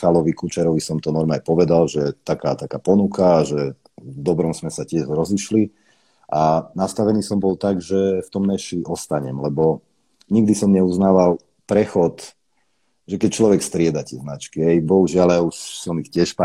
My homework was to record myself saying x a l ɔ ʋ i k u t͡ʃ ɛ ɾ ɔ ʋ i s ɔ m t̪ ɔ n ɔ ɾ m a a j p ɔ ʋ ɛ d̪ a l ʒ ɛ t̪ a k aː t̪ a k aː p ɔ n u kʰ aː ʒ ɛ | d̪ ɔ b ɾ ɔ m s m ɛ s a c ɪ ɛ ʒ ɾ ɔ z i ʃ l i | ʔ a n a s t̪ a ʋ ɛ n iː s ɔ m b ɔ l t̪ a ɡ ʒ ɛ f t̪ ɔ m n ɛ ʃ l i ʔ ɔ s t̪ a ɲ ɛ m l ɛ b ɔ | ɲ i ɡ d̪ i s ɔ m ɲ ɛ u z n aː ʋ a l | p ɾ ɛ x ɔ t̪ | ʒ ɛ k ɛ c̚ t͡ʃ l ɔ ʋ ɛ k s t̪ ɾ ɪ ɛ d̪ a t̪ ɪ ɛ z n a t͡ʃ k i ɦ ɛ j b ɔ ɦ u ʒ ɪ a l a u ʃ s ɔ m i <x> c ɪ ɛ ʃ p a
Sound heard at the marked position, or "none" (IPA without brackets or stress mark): x